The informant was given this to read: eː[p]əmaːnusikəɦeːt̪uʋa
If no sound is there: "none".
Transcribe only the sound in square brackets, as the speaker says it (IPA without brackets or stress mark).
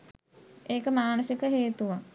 k